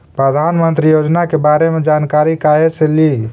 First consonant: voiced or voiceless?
voiceless